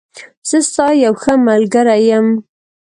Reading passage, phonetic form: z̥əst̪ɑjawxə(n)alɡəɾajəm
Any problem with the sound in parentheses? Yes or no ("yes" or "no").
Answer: yes